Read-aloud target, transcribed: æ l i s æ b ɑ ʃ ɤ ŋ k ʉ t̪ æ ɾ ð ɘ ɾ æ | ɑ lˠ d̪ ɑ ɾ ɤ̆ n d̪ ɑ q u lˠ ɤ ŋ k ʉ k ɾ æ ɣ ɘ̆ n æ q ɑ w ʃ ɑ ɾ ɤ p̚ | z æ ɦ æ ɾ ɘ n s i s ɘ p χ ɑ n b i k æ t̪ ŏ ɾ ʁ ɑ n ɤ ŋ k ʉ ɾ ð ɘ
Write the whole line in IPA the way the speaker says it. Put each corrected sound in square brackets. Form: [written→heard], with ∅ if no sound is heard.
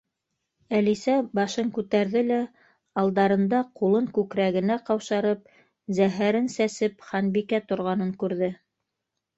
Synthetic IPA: æ l i s æ b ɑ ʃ ɤ ŋ k ʉ t̪ æ ɾ ð ɘ [ɾ→l] æ | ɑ lˠ d̪ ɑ ɾ ɤ̆ n d̪ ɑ q u lˠ ɤ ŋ k ʉ k ɾ æ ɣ ɘ̆ n æ q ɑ w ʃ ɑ ɾ ɤ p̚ | z æ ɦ æ ɾ ɘ n s [i→æ] s ɘ p χ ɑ n b i k æ t̪ ŏ ɾ ʁ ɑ n ɤ ŋ k ʉ ɾ ð ɘ